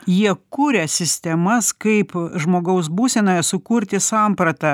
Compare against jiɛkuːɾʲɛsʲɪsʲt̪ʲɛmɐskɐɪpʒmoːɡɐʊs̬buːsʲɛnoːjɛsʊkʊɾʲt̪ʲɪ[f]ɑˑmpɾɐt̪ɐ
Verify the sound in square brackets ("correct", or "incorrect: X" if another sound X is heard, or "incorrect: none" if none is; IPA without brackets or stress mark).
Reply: incorrect: s